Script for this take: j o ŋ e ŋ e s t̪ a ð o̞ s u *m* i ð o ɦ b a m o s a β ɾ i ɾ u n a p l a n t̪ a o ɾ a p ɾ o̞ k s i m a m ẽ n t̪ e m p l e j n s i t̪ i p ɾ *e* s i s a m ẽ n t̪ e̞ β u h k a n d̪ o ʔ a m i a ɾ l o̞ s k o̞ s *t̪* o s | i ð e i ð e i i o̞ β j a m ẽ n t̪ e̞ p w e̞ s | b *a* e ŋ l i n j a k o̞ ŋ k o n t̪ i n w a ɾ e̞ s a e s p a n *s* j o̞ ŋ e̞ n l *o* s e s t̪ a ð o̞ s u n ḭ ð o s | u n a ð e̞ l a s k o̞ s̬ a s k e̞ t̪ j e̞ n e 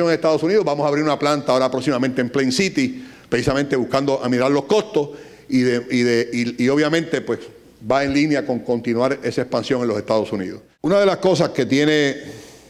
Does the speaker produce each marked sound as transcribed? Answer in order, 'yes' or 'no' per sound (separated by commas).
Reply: no, yes, yes, yes, yes, yes